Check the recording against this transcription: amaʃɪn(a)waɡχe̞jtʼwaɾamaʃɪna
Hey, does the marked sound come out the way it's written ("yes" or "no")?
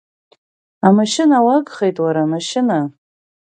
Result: yes